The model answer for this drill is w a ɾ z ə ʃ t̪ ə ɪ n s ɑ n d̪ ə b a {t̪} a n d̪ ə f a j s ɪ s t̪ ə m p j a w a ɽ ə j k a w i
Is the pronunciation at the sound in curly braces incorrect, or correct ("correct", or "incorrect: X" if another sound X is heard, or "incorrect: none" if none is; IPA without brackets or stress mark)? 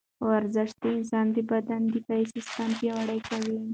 incorrect: d̪